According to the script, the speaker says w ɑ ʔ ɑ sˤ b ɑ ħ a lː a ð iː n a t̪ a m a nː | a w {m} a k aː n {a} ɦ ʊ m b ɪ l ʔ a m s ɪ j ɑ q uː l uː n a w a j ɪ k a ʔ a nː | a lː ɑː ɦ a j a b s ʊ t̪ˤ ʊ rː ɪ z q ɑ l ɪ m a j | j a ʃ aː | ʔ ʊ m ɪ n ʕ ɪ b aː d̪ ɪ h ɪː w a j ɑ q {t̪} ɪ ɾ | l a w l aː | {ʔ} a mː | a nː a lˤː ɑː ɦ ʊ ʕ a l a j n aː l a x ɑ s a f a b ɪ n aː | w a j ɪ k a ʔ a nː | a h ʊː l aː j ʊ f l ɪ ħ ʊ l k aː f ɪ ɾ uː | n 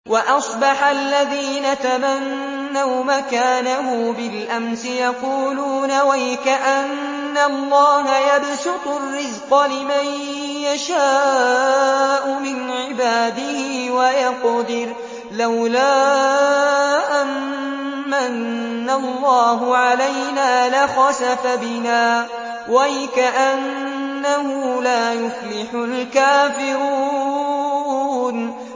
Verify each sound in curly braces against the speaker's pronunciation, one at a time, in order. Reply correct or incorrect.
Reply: correct, correct, incorrect, correct

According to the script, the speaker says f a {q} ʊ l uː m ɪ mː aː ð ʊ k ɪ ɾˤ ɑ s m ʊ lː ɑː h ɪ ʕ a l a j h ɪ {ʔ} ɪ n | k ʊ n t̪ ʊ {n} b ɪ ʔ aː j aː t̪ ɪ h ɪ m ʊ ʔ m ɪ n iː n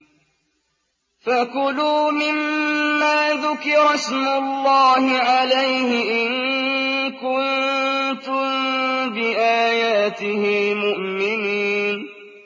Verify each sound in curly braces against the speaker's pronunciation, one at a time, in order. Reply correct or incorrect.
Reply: incorrect, correct, incorrect

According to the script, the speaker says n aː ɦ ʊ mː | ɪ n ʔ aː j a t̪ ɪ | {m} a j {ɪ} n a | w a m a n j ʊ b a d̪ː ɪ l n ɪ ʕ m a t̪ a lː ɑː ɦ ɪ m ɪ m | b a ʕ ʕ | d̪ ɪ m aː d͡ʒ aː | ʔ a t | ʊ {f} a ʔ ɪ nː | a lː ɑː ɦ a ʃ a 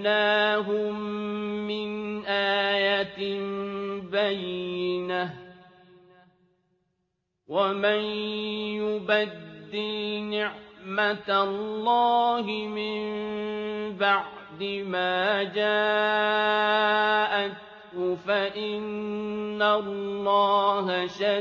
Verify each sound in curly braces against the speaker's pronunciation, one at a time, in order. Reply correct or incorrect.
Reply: incorrect, correct, correct

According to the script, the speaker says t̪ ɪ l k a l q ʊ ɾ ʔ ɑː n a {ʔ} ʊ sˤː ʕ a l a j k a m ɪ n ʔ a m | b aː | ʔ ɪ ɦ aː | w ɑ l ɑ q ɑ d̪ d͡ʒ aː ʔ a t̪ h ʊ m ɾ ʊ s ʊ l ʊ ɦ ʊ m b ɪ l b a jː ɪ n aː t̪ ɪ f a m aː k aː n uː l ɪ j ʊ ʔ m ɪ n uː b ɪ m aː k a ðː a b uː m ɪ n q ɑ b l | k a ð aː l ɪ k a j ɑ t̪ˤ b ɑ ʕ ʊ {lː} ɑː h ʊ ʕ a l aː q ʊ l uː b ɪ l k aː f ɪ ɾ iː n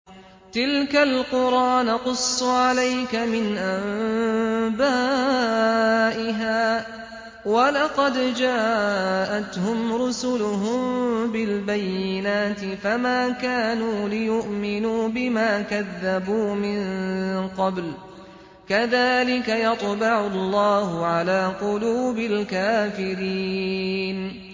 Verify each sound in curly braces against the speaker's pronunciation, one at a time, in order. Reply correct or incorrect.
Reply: incorrect, correct

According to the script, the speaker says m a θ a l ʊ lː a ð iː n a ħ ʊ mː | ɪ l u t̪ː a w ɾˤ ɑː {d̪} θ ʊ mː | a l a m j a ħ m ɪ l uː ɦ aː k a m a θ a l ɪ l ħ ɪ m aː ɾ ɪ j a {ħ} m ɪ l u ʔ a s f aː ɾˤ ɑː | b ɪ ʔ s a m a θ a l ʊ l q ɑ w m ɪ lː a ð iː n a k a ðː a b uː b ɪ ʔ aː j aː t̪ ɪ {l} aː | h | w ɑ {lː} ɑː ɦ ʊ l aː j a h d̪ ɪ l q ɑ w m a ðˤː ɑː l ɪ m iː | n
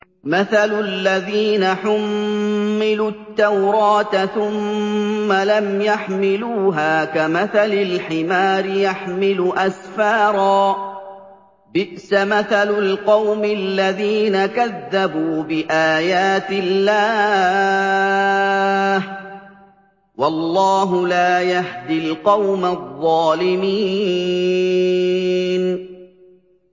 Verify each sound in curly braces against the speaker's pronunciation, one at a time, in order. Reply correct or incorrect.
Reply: incorrect, correct, incorrect, correct

